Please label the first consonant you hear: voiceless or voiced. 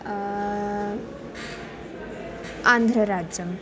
voiced